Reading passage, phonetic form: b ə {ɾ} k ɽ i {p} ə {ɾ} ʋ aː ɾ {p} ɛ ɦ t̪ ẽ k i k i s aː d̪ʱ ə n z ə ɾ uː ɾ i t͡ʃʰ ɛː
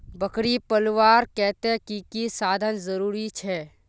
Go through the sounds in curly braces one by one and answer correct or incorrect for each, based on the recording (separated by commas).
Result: incorrect, correct, incorrect, incorrect